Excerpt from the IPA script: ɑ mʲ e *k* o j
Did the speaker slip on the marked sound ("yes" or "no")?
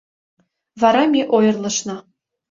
yes